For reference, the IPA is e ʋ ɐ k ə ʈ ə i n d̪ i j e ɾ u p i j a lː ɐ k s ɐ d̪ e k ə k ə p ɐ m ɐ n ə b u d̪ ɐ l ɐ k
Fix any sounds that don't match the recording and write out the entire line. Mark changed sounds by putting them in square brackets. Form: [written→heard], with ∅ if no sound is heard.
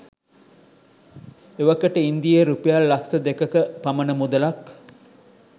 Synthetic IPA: e ʋ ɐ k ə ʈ ə i n d̪ i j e ɾ u p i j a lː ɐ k s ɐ d̪ e k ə k ə p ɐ m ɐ n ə [b→m] u d̪ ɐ l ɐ k